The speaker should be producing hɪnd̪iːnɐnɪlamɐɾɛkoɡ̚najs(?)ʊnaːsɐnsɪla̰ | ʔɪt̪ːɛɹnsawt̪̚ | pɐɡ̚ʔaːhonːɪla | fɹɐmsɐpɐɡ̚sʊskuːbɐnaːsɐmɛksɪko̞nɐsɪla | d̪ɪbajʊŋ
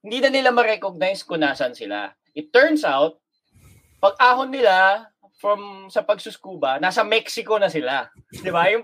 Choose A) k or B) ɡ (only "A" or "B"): A